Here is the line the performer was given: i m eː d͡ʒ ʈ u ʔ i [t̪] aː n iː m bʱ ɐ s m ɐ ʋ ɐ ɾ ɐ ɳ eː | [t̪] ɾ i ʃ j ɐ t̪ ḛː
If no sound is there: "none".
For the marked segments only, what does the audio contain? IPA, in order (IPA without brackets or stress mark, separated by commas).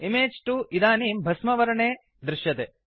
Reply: d̪, d̪